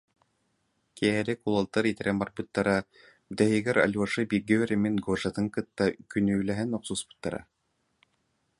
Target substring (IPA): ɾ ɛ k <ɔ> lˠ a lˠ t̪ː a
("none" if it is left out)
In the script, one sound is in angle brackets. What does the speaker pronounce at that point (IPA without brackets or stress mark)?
u